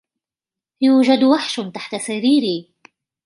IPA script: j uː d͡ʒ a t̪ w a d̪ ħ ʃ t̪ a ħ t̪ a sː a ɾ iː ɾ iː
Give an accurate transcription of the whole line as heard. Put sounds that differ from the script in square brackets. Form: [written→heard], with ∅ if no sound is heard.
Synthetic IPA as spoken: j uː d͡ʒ a [t̪→d̪] w a [d̪→∅] ħ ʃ t̪ a ħ t̪ a [sː→s] a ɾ iː ɾ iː